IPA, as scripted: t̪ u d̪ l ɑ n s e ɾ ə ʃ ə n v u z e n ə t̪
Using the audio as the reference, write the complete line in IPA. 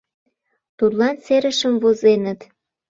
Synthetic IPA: t̪ u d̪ l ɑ n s e ɾ ə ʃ ə m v o z e n ə t̪